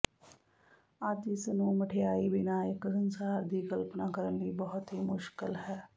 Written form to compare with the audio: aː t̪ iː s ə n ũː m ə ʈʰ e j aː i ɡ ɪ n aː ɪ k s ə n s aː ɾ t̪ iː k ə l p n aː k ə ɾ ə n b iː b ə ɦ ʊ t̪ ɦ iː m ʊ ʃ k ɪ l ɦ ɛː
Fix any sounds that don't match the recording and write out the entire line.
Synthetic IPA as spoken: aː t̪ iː s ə n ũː m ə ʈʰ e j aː i b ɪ n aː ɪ k s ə n s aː ɾ d̪ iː k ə l p n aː k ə ɾ ə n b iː b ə ɦ ʊ t̪ ɦ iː m ʊ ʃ k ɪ l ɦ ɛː